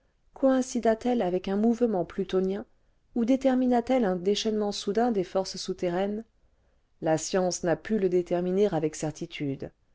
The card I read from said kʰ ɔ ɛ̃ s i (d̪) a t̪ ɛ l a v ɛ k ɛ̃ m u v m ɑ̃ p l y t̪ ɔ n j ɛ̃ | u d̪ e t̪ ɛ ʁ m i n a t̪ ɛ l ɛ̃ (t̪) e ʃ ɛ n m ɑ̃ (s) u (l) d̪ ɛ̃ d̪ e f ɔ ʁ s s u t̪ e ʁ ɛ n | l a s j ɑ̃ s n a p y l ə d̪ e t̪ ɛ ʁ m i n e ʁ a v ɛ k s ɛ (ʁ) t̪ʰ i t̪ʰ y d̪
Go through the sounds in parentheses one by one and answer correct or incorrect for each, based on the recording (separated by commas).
correct, incorrect, correct, incorrect, correct